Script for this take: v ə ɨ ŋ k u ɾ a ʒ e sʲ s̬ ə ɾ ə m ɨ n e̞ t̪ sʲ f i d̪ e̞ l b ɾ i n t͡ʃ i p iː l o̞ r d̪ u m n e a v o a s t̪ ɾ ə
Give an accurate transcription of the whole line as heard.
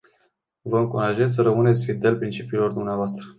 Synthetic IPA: v ə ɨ ŋ k u ɾ a ʒ e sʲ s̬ ə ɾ ə m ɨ n e̞ t̪ sʲ f i d̪ e̞ l p ɾ i n t͡ʃ i p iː l o̞ r d̪ u m n e a v o a s t̪ ɾ ə